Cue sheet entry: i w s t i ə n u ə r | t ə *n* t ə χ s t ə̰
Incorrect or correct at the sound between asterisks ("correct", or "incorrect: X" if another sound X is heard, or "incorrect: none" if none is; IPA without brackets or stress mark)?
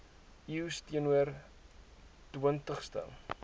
correct